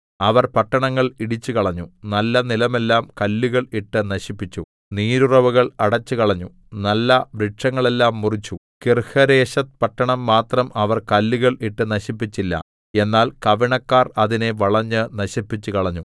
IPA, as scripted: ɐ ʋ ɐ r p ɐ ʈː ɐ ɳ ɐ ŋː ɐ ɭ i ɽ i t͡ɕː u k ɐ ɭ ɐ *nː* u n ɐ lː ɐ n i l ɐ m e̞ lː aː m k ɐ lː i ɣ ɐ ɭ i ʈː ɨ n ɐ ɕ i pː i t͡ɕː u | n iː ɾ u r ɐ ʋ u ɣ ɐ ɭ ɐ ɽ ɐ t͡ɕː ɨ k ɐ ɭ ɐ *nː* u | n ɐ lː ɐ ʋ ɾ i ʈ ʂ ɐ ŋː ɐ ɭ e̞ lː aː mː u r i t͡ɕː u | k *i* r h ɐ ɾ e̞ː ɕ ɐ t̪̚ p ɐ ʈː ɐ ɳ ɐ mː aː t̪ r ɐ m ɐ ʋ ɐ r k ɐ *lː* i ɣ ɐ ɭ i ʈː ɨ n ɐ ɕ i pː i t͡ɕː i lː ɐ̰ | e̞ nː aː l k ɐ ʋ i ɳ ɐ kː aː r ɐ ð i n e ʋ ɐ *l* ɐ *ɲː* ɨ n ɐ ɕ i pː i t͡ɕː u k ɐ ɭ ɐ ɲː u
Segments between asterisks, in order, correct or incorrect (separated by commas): incorrect, incorrect, correct, correct, incorrect, correct